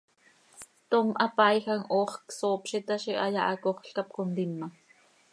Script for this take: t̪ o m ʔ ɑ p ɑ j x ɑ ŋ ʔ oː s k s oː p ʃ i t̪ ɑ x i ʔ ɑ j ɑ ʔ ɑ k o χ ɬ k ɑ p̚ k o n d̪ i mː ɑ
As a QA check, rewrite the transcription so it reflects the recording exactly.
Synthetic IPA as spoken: t̪ o m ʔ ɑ p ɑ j x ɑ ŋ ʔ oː χ k s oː p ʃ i t̪ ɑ ʃ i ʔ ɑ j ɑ ʔ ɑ k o χ ɬ k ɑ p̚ k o n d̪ i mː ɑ

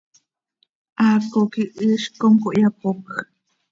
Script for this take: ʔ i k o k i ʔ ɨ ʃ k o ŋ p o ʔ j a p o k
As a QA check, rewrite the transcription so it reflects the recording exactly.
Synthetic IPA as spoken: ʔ a k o k i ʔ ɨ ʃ k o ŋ k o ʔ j a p o k

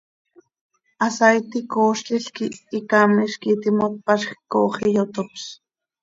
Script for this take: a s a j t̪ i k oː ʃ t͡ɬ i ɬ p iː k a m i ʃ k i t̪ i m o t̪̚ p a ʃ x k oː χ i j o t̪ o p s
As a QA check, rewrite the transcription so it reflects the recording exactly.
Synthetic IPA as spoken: a s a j t̪ i k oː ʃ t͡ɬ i ɬ k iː k a m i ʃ k i t̪ i m o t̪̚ p a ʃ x k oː χ i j o t̪ o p s

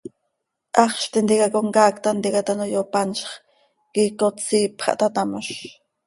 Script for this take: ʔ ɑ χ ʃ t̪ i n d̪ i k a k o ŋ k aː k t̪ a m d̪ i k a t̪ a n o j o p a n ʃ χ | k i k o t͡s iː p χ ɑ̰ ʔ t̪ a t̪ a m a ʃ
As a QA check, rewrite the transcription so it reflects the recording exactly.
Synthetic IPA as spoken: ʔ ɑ χ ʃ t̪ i n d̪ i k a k o ŋ k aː k t̪ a n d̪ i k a t̪ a n o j o p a n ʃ χ | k i k o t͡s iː p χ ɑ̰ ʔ t̪ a t̪ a m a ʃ

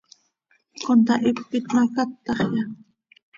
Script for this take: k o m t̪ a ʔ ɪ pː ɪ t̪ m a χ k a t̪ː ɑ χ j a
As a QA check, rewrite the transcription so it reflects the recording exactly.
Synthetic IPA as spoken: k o n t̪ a ʔ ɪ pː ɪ t̪ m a k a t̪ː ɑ χ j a

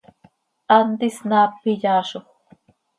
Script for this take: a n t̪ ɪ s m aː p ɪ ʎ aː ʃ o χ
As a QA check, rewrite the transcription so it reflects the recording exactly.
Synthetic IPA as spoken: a n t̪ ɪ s n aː p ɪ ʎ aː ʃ o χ

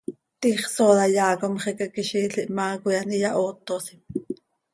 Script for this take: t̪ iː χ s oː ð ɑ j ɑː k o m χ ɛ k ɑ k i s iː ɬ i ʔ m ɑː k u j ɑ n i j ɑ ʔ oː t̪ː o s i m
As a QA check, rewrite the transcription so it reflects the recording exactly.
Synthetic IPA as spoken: t̪ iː χ s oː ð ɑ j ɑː k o m χ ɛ k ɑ k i ʃ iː ɬ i ʔ m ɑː k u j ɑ n i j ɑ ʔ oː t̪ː o s i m

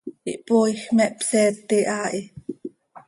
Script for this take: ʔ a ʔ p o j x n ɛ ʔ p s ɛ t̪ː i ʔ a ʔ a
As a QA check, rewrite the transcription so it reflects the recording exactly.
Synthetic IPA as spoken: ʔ i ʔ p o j x m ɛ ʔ p s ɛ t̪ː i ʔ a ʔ i

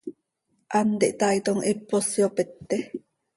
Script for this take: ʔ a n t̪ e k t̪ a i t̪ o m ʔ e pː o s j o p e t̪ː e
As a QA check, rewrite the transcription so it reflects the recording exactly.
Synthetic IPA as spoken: ʔ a n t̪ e ʔ t̪ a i t̪ o ŋ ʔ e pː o s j o p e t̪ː e

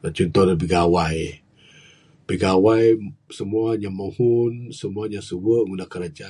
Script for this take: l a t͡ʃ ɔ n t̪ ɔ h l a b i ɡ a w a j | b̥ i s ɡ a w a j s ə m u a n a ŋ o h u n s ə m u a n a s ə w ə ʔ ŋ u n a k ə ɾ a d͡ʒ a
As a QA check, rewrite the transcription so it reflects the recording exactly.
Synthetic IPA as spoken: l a t͡ʃ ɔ n t̪ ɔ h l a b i ɡ a w a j | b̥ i ɡ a w a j s ə m u a ɲ a m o h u n s ə m u a ɲ a s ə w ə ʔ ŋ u n a k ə ɾ a d͡ʒ a

